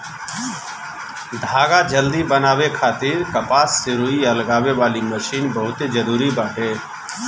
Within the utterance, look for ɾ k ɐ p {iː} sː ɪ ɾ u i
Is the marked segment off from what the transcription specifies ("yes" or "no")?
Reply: yes